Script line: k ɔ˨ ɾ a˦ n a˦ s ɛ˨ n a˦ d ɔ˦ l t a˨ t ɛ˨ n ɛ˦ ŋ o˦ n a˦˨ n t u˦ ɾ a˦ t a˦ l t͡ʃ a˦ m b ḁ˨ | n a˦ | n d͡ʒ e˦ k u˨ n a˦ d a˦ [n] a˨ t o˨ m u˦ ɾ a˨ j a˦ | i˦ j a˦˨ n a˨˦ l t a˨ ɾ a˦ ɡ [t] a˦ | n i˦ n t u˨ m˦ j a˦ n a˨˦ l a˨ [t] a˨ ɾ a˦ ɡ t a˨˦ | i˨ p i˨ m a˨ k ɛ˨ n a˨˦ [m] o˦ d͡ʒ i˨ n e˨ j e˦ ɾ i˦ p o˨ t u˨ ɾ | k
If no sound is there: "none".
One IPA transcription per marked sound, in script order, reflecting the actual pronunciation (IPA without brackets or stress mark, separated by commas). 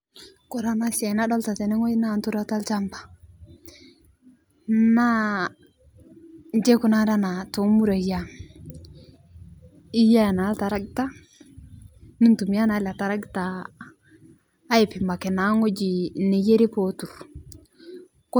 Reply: n, t, t, ŋ